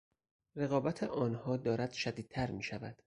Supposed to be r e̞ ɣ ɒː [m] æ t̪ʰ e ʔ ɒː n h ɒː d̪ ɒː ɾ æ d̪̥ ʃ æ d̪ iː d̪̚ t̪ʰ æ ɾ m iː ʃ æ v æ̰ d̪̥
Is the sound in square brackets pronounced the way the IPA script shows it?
no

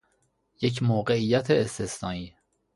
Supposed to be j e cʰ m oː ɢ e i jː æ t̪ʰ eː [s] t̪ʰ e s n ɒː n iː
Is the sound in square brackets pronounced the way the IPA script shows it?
yes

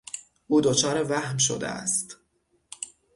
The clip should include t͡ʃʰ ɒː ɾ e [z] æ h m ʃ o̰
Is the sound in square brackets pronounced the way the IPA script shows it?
no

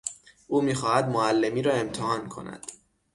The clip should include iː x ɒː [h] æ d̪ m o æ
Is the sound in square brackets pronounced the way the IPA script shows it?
yes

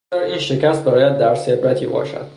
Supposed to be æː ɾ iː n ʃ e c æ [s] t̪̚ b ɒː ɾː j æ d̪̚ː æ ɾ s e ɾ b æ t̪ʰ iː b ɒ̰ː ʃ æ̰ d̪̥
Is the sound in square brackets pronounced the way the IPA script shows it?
yes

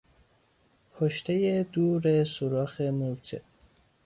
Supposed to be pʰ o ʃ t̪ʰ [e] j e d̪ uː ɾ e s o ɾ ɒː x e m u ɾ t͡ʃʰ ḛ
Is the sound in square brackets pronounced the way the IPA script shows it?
yes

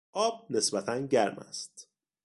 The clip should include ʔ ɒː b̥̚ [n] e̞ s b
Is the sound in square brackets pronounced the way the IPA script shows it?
yes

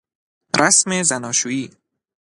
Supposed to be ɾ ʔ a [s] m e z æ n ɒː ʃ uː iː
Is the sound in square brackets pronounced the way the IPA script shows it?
yes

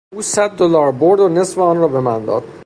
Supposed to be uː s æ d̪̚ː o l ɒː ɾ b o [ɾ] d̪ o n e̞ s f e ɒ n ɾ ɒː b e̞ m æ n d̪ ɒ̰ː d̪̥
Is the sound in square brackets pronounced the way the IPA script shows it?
yes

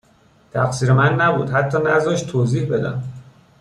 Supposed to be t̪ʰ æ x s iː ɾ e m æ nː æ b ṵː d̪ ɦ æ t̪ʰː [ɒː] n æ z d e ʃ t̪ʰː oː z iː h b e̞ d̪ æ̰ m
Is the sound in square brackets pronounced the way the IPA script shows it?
yes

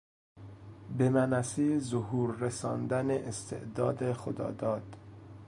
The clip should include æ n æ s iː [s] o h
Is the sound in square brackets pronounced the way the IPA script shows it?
no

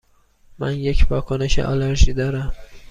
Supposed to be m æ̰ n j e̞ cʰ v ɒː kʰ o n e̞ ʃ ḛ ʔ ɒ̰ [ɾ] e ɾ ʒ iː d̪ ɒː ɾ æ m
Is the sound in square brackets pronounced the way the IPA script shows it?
no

